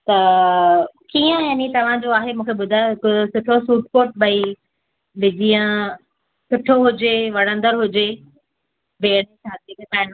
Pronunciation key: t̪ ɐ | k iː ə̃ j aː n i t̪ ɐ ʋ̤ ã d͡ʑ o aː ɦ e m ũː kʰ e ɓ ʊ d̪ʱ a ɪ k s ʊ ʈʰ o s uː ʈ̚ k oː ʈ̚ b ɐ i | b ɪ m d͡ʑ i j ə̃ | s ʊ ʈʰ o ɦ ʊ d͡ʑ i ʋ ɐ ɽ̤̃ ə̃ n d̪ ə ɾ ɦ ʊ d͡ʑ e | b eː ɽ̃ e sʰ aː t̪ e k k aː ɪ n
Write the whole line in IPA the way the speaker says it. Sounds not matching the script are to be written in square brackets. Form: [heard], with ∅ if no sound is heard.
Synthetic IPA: t̪ ɐ | k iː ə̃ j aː n i t̪ ɐ ʋ̤ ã d͡ʑ o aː ɦ e m ũː kʰ e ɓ ʊ d̪ʱ a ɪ k s ʊ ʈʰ o s uː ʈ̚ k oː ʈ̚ b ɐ i | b ɪ [∅] d͡ʑ i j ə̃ | s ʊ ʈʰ o ɦ ʊ d͡ʑ [e] ʋ ɐ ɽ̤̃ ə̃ n d̪ ə ɾ ɦ ʊ d͡ʑ e | b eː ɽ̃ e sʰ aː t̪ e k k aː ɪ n

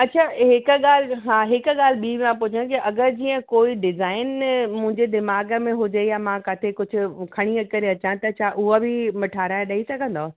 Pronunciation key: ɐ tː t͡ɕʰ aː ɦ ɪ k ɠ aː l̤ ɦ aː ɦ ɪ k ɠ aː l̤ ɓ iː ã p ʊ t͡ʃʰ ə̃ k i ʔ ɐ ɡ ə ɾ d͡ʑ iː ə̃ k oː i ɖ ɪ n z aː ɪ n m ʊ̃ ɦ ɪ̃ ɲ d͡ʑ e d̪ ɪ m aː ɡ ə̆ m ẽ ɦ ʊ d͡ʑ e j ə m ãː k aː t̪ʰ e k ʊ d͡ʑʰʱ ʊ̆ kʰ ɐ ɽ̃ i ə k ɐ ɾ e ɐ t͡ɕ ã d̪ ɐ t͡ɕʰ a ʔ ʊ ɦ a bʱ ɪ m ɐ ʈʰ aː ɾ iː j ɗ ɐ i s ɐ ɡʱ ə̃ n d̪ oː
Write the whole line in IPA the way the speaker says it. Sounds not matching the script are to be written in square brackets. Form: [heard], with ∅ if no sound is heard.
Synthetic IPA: ɐ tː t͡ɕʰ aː ɦ ɪ k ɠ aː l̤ ɦ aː ɦ ɪ k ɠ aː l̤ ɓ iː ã p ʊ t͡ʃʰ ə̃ k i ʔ ɐ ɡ ə ɾ d͡ʑ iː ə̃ k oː i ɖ ɪ [∅] z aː ɪ n m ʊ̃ ɦ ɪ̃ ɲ d͡ʑ e d̪ ɪ m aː ɡ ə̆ m ẽ ɦ ʊ d͡ʑ e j [a] m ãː k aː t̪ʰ e k ʊ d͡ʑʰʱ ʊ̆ kʰ ɐ ɽ̃ i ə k ɐ ɾ e ɐ t͡ɕ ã [t̪] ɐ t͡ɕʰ a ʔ ʊ ɦ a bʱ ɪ m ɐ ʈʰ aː ɾ [aː] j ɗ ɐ i s ɐ ɡʱ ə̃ n d̪ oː

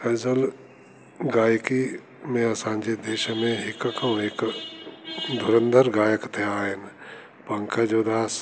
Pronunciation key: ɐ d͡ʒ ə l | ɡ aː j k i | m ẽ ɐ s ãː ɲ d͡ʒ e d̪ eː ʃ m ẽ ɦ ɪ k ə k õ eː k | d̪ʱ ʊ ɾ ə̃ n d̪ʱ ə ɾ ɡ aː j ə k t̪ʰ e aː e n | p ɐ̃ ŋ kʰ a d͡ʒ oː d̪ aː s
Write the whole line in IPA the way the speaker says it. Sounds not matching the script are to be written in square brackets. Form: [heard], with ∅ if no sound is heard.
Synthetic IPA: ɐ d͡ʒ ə l | ɡ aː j k i | m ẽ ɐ s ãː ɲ d͡ʒ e d̪ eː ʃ m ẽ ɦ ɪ k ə k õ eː k | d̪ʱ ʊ ɾ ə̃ n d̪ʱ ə ɾ ɡ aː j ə k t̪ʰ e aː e n | p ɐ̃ ŋ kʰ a d͡ʒ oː d̪ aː s

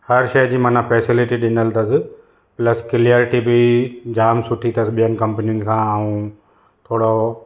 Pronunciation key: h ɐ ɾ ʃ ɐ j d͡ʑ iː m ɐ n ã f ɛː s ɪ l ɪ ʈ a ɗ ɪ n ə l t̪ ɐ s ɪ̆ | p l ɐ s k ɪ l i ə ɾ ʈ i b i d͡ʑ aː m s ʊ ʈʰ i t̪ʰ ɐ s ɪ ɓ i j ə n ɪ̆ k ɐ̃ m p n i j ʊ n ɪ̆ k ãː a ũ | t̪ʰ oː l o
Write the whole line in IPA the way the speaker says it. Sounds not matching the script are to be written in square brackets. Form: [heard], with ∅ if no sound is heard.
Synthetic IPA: h ɐ ɾ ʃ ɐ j d͡ʑ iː m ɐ n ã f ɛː s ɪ l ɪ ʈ [i] ɗ ɪ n ə l t̪ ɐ s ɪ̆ | p l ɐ s k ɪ l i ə ɾ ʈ i b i d͡ʑ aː m s ʊ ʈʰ i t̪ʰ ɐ s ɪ ɓ i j ə n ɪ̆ k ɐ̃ m p n i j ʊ n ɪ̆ [kʰ] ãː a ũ | t̪ʰ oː [ɽ] o

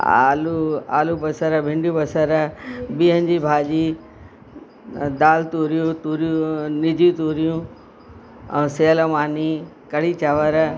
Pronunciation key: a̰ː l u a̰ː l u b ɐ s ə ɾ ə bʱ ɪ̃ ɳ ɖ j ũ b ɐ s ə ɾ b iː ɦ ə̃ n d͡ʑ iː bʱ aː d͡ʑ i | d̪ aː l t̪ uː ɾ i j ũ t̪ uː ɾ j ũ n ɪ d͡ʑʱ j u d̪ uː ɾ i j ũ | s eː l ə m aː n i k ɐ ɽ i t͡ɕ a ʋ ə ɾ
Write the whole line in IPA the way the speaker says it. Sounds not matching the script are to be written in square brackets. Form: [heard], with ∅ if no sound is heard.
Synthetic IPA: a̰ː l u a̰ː l u b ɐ s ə ɾ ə bʱ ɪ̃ ɳ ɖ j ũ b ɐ s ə ɾ b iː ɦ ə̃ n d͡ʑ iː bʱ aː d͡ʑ i | d̪ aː l t̪ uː ɾ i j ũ t̪ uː ɾ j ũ n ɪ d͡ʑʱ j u [t̪] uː ɾ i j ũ | s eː l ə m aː n i k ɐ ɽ i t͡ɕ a ʋ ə ɾ

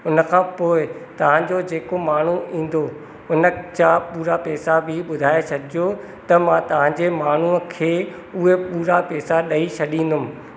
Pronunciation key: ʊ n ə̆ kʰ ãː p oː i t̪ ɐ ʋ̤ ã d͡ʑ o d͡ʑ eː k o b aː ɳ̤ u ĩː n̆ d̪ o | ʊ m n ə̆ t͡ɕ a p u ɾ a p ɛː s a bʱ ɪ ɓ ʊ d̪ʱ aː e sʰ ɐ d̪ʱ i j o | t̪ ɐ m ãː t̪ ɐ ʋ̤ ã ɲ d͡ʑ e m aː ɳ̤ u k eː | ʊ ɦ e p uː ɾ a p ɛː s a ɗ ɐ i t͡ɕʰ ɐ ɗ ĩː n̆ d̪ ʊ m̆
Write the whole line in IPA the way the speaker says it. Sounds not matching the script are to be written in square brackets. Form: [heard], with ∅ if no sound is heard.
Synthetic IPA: ʊ n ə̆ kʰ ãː p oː [ɪ] t̪ ɐ ʋ̤ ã d͡ʑ o d͡ʑ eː k o [m] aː ɳ̤ u ĩː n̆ d̪ o | ʊ [∅] n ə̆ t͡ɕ a p [uː] ɾ a p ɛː s a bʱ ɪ ɓ ʊ d̪ʱ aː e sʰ ɐ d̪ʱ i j o | t̪ ɐ m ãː t̪ ɐ ʋ̤ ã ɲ d͡ʑ e m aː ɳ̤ u [kʰ] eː | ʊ ɦ e p uː ɾ a p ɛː s a ɗ ɐ i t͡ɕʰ ɐ ɗ ĩː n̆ d̪ ʊ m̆

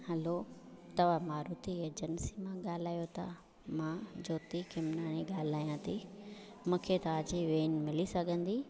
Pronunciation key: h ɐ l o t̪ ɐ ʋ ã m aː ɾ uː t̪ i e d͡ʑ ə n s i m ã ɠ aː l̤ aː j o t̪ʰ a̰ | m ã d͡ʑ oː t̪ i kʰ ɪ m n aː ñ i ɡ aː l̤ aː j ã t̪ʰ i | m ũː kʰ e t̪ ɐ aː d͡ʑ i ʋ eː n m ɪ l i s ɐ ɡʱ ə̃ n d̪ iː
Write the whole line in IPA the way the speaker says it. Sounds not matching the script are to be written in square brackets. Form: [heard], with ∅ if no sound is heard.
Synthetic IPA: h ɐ l o t̪ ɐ ʋ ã m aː ɾ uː t̪ i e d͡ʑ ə n s i m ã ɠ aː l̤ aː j o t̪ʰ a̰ | m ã d͡ʑ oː t̪ i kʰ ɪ m n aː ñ i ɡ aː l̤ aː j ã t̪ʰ i | m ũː kʰ e t̪ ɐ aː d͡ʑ i ʋ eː n m ɪ l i s ɐ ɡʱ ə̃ n d̪ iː

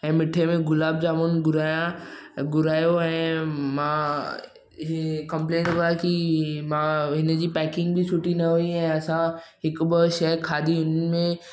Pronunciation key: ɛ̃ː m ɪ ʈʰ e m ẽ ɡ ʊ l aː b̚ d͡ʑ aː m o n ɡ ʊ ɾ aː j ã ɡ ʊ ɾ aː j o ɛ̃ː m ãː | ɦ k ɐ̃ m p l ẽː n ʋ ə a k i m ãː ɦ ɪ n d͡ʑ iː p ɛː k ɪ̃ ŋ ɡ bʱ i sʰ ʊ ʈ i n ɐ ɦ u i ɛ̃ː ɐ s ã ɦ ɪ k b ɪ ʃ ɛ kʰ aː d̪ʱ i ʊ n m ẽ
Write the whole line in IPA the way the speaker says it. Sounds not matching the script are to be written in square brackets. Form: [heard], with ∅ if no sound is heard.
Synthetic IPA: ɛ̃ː m ɪ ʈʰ e m ẽ ɡ ʊ l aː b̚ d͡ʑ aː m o n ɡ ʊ ɾ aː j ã ɡ ʊ ɾ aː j o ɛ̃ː m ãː | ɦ k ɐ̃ m p l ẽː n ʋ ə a k i m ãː ɦ ɪ n d͡ʑ iː p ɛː k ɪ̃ ŋ ɡ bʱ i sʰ ʊ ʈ i n ɐ ɦ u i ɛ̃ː ɐ s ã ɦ ɪ k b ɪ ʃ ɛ kʰ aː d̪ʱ i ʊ n m ẽ

